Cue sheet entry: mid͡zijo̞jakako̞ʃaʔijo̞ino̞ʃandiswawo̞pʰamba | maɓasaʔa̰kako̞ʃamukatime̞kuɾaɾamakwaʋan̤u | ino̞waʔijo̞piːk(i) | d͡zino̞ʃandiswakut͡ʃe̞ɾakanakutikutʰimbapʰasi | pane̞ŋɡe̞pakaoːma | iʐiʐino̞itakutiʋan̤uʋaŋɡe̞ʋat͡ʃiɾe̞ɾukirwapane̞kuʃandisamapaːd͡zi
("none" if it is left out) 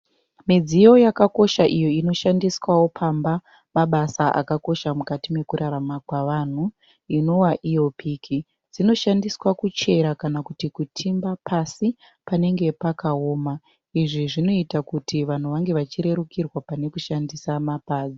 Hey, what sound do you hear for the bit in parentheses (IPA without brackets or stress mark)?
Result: i